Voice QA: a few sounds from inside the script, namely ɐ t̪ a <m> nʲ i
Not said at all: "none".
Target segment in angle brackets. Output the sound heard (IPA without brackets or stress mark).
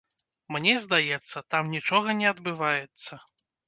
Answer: m